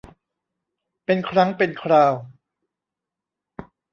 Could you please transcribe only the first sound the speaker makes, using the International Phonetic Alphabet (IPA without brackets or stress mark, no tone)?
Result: p